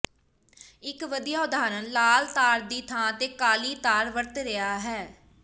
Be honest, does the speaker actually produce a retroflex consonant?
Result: no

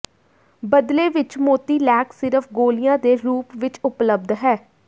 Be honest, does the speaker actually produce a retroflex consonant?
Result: no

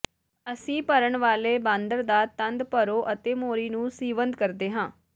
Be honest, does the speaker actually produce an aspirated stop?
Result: no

